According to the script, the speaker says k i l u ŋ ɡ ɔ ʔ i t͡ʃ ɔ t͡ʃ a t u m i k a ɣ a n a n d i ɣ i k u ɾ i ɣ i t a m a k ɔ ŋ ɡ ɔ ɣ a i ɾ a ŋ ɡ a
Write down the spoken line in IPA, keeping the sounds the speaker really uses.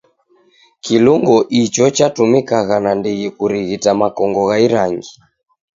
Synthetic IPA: k i l u ŋ ɡ ɔ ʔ i t͡ʃ ɔ t͡ʃ a t u m i k a ɣ a n a n d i ɣ i k u ɾ i ɣ i t a m a k ɔ ŋ ɡ ɔ ɣ a i ɾ a ŋ ɡ i